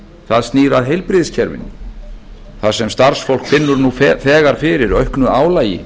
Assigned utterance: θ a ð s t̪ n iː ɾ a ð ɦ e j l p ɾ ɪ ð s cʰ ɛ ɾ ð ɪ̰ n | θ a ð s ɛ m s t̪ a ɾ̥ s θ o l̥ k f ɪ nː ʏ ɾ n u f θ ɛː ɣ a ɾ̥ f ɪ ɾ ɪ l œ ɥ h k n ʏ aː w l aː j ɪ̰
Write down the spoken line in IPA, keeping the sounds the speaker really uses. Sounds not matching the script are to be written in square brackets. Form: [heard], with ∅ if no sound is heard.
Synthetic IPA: θ a ð s t̪ n iː ɾ a ð ɦ e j l p ɾ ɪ ð s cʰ ɛ ɾ [v] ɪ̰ n | θ a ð s ɛ m s t̪ a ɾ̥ s [f] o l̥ k f ɪ nː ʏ ɾ n u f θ ɛː ɣ a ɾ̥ f ɪ ɾ ɪ [ɾ] œ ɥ h k n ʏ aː w l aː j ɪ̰

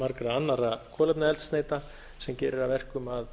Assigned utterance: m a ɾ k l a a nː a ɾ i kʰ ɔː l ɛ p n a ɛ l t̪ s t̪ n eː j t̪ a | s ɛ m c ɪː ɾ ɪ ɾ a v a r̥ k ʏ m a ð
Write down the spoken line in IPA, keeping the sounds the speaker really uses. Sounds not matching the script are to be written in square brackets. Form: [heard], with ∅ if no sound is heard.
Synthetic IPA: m a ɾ k [ɾ] a a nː a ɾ [a] kʰ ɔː l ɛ p n a ɛ l t̪ s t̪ n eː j t̪ a | s ɛ m c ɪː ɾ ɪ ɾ a v [ɛ] r̥ k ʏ m a ð

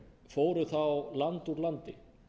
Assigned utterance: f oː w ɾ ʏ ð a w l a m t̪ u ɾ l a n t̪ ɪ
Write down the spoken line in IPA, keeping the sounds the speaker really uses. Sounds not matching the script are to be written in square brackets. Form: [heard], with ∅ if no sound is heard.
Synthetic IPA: f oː w ɾ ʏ [θ] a w l a [n] t̪ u ɾ l a n t̪ ɪ

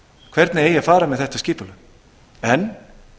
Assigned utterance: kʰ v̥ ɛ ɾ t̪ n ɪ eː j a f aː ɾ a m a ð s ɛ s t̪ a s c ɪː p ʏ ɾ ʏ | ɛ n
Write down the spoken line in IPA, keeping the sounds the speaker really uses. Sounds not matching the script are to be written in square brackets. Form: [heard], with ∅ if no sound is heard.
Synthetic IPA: kʰ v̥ ɛ ɾ t̪ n ɪ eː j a f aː ɾ a m [ɛ] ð [θ] ɛ [h] t̪ a s c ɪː p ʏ [l] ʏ | ɛ n

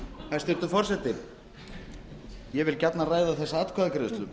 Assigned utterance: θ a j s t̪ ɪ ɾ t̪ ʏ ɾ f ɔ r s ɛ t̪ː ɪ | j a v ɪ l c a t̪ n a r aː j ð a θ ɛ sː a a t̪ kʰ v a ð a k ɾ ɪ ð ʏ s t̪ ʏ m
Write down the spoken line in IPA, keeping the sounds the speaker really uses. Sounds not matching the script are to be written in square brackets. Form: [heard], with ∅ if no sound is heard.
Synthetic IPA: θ a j s t̪ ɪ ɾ t̪ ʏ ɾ f ɔ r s ɛ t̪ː ɪ | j [ɛ] v ɪ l c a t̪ n a r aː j ð a θ ɛ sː a a t̪ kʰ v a ð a k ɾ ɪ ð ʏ s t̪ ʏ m

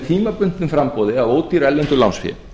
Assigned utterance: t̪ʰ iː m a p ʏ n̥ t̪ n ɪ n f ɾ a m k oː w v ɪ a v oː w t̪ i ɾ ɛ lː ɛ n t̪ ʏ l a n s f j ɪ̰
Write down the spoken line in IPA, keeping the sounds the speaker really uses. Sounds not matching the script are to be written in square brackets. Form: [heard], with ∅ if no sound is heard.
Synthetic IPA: t̪ʰ iː m a p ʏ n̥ t̪ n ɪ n f ɾ a m [p] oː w [ð] ɪ a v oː w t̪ i ɾ ɛ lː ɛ n t̪ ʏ l a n s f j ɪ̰

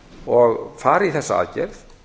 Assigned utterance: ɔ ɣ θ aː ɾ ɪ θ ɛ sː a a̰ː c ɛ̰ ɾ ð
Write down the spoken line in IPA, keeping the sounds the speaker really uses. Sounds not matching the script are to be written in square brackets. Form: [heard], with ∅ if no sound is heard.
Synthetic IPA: ɔ ɣ [f] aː ɾ [i] θ ɛ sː a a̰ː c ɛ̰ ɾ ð

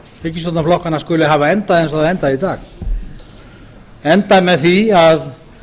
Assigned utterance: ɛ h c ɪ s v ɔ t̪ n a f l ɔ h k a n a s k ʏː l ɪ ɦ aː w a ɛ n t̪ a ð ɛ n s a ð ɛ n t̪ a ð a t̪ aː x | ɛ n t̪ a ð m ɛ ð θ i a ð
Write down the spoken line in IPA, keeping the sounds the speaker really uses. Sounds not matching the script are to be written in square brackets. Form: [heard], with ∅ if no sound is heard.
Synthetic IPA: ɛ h c ɪ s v ɔ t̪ n a f l ɔ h k a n a s k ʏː l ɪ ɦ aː [v] a ɛ n t̪ a ð ɛ n s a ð ɛ n t̪ a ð [i] t̪ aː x | ɛ n t̪ a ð m ɛ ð θ i a ð

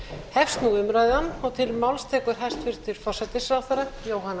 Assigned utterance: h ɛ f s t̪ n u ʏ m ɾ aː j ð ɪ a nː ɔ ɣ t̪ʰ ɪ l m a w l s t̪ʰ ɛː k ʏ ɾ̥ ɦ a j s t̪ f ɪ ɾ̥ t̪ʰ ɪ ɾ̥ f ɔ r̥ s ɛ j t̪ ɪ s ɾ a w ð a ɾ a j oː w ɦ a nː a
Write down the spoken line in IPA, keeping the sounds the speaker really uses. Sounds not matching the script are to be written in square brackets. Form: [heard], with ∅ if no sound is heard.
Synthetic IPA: h ɛ f s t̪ n u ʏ m ɾ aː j ð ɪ a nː ɔ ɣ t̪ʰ ɪ l m a w l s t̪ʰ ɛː k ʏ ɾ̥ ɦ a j s t̪ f ɪ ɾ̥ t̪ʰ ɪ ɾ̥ f ɔ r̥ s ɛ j t̪ ɪ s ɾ a w [θ] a ɾ a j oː w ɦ a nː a

